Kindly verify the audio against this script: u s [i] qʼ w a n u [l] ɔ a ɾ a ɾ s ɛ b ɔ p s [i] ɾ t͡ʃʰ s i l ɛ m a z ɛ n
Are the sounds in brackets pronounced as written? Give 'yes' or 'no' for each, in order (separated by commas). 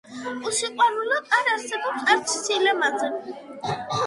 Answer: yes, yes, no